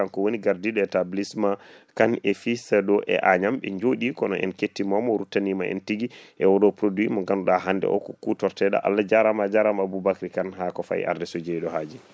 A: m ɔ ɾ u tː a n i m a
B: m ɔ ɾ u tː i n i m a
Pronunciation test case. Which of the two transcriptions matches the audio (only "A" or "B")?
A